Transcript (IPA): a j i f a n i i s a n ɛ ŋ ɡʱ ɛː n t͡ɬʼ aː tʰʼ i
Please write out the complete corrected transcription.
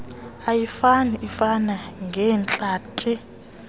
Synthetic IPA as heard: a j i f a n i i f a n a ŋ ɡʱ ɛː n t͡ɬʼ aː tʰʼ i